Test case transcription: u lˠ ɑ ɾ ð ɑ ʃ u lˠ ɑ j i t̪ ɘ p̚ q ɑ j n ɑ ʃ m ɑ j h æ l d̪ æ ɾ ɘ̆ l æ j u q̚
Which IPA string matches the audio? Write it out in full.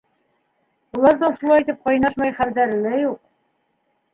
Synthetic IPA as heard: u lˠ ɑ ɾ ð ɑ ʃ u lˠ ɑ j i t̪ ɘ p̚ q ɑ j n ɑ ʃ m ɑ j χ æ l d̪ æ ɾ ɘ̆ l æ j u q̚